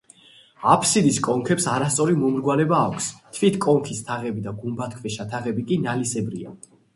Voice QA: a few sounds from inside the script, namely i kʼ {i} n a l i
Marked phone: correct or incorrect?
correct